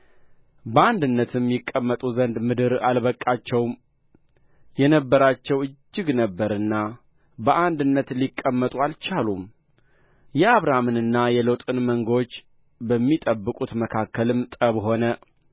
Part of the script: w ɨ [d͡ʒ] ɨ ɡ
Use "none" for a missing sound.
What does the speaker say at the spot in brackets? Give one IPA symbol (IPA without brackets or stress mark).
d͡ʒː